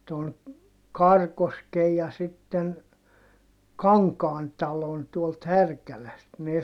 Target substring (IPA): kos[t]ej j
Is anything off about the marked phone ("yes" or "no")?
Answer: yes